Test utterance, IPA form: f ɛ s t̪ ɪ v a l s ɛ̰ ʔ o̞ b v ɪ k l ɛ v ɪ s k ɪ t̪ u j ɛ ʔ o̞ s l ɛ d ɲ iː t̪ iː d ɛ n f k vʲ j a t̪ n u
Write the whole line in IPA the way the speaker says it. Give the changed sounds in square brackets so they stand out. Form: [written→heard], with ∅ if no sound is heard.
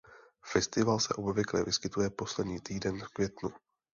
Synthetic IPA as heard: f ɛ s t̪ ɪ v a l s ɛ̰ ʔ o̞ b v ɪ k l ɛ v ɪ s k ɪ t̪ u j ɛ [ʔ→p] o̞ s l ɛ d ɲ iː t̪ iː d ɛ n f k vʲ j [a→ɛ] t̪ n u